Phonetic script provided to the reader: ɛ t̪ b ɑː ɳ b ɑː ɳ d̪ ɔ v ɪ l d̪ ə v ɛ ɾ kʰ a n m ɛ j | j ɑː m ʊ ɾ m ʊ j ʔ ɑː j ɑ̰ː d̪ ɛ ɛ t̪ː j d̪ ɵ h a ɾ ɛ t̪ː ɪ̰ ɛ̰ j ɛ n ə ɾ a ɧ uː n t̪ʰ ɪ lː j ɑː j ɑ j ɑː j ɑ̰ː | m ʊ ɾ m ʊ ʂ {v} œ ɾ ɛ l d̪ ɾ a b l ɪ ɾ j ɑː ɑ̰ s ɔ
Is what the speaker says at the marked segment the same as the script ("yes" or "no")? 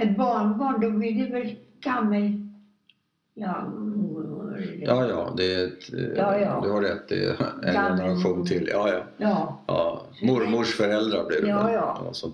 no